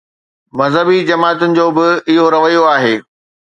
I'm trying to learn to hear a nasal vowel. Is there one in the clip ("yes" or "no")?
no